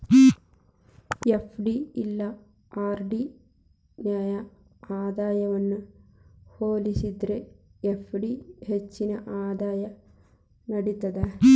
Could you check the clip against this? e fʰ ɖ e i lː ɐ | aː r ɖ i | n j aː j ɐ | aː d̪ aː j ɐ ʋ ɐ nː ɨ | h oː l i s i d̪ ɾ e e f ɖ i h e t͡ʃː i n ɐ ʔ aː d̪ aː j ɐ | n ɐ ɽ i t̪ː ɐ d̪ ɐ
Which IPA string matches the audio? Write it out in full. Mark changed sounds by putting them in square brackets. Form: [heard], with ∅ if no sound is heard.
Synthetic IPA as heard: e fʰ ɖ [i] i lː ɐ | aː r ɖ i | n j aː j ɐ | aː d̪ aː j ɐ ʋ ɐ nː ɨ | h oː l i s i d̪ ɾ e e f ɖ i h e t͡ʃː i n ɐ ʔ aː d̪ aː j ɐ | n ɐ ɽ i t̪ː ɐ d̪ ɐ